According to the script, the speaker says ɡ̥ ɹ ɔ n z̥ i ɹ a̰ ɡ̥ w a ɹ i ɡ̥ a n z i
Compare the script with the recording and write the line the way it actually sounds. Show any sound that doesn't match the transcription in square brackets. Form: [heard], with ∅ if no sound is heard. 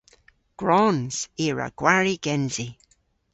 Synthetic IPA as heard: ɡ̥ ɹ ɔ n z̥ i ɹ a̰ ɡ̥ w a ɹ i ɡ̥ [ɛ] n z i